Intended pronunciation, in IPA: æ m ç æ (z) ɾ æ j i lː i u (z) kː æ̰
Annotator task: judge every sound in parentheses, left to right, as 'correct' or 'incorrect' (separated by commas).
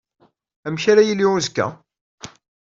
incorrect, correct